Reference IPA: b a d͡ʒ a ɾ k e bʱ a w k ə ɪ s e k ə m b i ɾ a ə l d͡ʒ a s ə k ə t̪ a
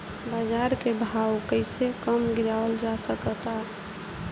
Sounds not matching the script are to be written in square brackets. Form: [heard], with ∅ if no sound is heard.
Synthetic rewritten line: b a d͡ʒ a ɾ k e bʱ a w k ə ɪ s e k ə m [ɡ] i ɾ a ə l d͡ʒ a s ə k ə t̪ a